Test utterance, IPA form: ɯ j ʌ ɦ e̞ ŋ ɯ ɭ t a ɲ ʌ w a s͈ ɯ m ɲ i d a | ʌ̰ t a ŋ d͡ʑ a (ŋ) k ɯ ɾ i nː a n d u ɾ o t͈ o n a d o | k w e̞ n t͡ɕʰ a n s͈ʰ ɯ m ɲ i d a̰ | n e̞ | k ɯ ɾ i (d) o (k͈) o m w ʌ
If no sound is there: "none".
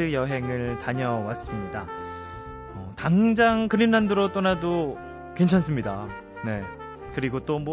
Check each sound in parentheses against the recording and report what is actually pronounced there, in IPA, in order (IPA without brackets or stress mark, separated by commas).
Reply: ŋ, ɡ, t͈